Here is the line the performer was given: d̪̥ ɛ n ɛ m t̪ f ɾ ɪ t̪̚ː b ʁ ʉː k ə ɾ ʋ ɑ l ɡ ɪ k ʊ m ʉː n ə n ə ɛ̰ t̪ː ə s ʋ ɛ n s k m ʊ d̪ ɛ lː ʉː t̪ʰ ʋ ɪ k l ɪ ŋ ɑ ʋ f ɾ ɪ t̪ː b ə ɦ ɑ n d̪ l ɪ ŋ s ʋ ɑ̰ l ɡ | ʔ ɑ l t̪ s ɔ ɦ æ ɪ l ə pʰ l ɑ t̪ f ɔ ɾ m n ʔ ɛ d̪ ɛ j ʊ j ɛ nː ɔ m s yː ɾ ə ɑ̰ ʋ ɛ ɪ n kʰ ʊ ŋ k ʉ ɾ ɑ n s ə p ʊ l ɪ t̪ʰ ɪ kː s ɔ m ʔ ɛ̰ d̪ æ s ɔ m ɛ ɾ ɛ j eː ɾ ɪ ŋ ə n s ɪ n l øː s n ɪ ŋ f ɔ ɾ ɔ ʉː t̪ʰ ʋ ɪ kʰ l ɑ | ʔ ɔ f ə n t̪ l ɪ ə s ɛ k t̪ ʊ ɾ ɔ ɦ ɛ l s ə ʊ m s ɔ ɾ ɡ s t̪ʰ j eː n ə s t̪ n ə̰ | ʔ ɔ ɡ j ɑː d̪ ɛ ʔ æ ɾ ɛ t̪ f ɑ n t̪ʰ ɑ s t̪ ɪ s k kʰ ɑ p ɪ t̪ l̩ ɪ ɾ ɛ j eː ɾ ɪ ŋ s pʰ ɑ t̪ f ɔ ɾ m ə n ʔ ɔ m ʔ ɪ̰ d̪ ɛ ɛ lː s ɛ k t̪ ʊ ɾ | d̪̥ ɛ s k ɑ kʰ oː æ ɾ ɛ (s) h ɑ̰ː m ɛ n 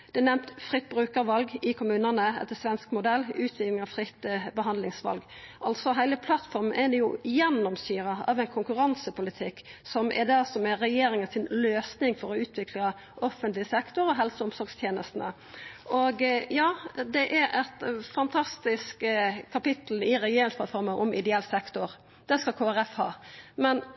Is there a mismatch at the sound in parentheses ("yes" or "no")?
yes